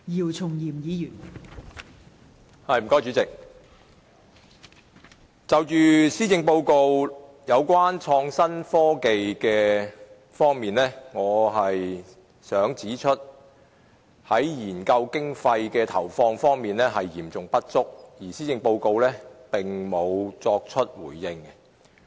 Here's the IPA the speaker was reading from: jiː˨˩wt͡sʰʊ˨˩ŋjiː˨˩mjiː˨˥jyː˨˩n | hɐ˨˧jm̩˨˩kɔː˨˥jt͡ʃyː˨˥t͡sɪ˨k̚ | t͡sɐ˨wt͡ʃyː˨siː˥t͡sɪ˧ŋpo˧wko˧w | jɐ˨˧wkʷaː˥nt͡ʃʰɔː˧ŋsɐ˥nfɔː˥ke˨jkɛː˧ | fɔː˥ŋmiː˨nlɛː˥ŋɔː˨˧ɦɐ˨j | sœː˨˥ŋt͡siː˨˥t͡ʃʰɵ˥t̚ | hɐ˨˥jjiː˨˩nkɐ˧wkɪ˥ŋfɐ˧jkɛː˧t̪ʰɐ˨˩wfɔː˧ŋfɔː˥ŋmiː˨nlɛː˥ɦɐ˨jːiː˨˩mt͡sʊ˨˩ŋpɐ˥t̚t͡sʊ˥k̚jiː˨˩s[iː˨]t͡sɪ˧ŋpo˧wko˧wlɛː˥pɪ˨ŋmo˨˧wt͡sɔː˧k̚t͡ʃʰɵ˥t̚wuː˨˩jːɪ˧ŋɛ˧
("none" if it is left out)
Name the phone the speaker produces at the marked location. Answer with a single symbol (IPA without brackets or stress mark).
iː˥